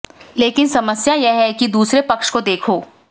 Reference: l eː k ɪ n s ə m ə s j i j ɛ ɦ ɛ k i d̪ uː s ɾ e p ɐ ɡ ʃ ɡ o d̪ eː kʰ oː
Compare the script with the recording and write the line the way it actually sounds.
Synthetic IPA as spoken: l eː k ɪ n s ɐ m ə s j a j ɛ ɦ ɛ k i d̪ uː s ɾ e p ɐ k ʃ k o d̪ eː kʰ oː